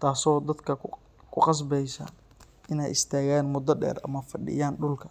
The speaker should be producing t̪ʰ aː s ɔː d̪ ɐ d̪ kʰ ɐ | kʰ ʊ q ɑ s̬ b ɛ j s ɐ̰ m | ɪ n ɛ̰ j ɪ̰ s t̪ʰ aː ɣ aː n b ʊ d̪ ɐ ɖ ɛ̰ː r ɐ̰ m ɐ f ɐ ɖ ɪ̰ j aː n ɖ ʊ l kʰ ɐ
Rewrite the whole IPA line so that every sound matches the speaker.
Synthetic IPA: t̪ʰ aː s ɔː d̪ ɐ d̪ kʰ ɐ | kʰ ʊ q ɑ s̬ b ɛ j s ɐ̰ | ɪ n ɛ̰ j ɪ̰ s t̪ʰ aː ɣ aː n m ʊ d̪ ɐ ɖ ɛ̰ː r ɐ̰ m ɐ f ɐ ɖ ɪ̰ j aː n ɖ ʊ l kʰ ɐ